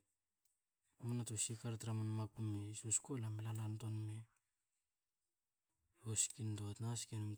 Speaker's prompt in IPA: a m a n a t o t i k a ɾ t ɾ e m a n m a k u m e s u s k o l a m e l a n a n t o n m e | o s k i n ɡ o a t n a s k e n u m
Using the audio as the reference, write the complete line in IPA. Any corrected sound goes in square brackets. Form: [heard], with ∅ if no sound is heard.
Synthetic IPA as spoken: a m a n a t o [s] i k a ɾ t ɾ [a] m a n m a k u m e s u s k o l a m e l a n a n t o n m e | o s k i n [d] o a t n a s k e n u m

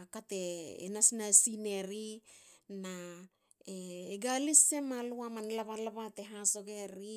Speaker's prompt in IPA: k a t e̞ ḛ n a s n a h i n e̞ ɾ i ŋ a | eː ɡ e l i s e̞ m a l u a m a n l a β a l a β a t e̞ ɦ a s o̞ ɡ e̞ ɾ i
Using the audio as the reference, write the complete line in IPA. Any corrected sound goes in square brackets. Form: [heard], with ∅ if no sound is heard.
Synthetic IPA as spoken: k a t e̞ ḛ n a s n a [s] i n e̞ ɾ i [n] a | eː ɡ [a] l i s e̞ m a l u a m a n l a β a l a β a t e̞ ɦ a s o̞ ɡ e̞ ɾ i

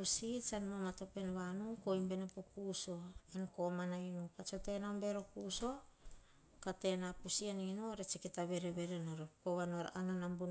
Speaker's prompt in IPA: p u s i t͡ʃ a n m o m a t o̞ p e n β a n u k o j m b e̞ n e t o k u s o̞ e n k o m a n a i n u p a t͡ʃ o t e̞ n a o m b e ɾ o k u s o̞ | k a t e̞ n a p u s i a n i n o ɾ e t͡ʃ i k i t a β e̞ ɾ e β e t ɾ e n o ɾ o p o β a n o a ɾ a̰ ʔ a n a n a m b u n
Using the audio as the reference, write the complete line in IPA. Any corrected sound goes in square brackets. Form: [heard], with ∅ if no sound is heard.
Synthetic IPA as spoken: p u s i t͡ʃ a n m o m a t o̞ p e n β a n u k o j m b e̞ n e [p] o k u s o̞ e n k o m a n a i n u p a t͡ʃ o t e̞ n a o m b e ɾ o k u s o̞ | k a t e̞ n a p u s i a n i n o ɾ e t͡ʃ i k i t a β e̞ ɾ e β e [∅] ɾ e n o ɾ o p o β a n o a ɾ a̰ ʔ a n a n a m b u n

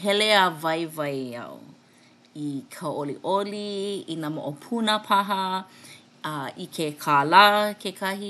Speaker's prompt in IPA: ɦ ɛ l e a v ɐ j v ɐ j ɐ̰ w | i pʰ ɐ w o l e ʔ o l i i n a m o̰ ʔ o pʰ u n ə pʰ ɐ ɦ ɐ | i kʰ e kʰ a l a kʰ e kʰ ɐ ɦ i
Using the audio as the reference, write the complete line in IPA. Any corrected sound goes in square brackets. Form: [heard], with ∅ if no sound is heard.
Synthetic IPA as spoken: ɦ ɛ l e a v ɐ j v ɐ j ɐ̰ w | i [kʰ] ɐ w o l [i] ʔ o l i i n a m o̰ ʔ o pʰ u n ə pʰ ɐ ɦ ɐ | i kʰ e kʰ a l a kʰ e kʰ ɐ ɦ i

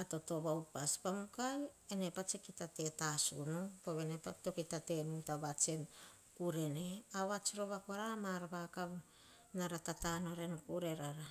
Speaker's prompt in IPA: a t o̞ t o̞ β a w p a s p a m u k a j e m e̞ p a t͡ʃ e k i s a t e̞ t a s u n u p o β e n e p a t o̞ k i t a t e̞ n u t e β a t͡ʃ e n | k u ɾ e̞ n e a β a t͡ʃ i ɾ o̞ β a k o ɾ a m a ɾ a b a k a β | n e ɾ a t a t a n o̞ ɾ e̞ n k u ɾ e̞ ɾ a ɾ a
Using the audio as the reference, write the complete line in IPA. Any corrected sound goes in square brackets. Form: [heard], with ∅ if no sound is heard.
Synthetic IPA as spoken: a t o̞ t o̞ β a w p a s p a m u k a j e [n] e̞ p a t͡ʃ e k i [t] a t e̞ t a s u n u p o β e n e p a t o̞ k i t a t e̞ n u t [a] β a t͡ʃ e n | k u ɾ e̞ n e a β a t͡ʃ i ɾ o̞ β a k o ɾ a m a ɾ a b a k a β | n [a] ɾ a t a t a n o̞ ɾ e̞ n k u ɾ e̞ ɾ a ɾ a

